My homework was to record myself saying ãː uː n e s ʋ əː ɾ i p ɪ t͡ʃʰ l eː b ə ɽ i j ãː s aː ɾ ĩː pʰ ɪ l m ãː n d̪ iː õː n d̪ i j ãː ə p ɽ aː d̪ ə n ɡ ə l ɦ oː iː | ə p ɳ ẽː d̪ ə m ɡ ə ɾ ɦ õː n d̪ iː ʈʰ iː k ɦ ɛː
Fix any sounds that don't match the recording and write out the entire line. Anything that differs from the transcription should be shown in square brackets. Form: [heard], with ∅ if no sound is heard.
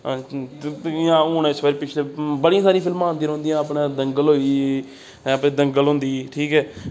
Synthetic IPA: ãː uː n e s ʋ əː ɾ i p ɪ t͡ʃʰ l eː b ə ɽ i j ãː s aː ɾ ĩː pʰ ɪ l m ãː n d̪ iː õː n d̪ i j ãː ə p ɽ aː d̪ ə [ŋ] ɡ ə l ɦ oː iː | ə p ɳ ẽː d̪ ə [ŋ] ɡ ə [l] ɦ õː n d̪ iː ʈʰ iː k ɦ ɛː